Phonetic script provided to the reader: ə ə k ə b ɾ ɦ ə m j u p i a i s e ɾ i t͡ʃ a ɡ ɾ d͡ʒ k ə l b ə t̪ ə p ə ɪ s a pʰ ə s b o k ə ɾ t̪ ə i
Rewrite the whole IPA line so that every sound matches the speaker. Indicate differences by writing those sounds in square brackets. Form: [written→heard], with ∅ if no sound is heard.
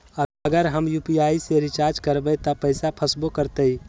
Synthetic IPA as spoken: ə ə [k→ɡ] ə [b→∅] ɾ ɦ ə m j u p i a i s e ɾ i t͡ʃ a [ɡ→∅] ɾ d͡ʒ k ə [l→ɾ] b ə t̪ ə p ə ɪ s a pʰ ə s b o k ə ɾ t̪ ə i